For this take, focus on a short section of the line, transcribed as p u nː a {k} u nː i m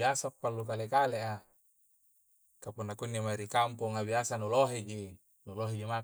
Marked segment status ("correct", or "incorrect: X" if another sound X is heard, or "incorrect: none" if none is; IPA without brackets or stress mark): correct